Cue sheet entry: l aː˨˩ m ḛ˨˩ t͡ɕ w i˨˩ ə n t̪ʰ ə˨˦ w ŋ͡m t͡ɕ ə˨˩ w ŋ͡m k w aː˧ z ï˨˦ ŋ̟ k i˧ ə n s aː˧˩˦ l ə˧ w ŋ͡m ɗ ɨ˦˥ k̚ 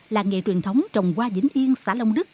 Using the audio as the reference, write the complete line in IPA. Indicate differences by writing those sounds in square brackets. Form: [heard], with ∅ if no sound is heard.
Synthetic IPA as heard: l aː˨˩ [ŋ] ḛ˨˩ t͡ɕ w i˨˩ ə n t̪ʰ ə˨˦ w ŋ͡m t͡ɕ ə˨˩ w ŋ͡m k w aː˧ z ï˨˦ ŋ̟ [ʔ] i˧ ə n s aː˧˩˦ l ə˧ w ŋ͡m ɗ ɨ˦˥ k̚